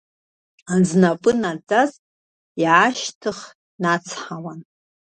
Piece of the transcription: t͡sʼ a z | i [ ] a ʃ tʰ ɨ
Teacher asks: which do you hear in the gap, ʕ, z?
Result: ʕ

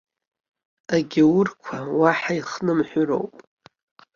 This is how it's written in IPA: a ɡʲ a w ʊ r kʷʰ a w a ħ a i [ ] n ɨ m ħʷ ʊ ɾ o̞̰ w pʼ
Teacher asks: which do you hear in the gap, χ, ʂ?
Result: χ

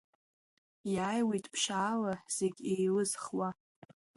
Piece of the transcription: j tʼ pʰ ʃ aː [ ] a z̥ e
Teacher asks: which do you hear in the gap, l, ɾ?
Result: l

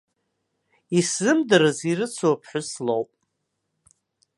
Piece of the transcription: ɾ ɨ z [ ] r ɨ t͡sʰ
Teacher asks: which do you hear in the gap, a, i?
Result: i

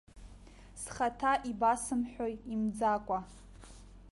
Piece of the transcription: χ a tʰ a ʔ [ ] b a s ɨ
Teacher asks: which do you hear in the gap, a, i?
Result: i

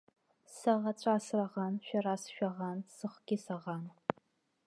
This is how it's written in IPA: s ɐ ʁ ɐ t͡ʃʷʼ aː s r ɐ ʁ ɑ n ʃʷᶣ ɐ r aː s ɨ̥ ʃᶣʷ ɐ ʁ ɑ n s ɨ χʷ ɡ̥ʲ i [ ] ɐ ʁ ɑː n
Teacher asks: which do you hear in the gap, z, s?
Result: s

